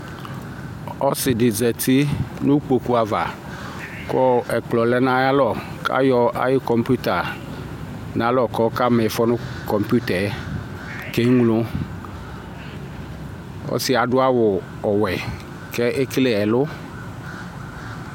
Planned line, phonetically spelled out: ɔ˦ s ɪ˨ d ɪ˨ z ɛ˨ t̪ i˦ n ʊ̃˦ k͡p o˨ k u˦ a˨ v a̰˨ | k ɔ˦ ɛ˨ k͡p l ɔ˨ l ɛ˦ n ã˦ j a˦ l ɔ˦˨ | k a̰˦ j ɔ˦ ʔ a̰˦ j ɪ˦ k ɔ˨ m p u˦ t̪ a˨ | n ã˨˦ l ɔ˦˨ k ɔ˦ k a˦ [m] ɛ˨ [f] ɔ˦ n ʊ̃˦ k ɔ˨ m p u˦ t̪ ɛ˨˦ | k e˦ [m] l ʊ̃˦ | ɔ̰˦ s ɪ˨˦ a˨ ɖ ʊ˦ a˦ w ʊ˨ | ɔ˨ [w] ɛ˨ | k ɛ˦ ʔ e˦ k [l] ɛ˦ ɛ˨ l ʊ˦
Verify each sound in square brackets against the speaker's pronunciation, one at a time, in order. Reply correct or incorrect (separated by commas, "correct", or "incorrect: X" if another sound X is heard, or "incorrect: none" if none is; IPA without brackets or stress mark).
correct, correct, incorrect: ŋ, correct, correct